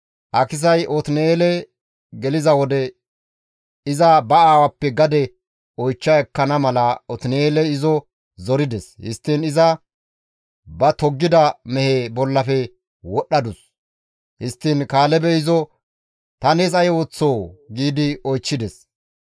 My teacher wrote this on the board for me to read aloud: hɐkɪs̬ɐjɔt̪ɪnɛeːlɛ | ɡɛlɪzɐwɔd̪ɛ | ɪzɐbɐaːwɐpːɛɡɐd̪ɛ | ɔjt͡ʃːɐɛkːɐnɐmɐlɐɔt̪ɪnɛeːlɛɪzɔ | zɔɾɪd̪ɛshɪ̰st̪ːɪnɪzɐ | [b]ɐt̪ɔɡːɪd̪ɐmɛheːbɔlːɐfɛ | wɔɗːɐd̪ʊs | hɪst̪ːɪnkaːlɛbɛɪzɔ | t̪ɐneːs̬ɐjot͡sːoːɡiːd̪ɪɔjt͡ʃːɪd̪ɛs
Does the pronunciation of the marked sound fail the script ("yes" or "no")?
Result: no